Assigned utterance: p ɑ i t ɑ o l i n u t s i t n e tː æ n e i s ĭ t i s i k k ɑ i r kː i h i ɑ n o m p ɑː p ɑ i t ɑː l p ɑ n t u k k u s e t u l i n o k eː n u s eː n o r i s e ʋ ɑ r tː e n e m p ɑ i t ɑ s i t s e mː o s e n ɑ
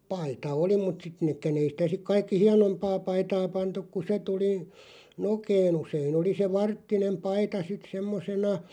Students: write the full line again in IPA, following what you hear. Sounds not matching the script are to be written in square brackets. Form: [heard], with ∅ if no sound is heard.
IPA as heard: p ɑ i t ɑ o l i [m] u t s i t n e [kː] æ n e i s ĭ t [æ] s i k k ɑ i [∅] kː i h i ɑ n o m p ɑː p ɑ i t ɑː [∅] p ɑ n t u k k u s e t u l i n o k eː n u s eː n o [l] i s e ʋ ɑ r tː [i] n e m p ɑ i t ɑ s i t s e mː o s e n ɑ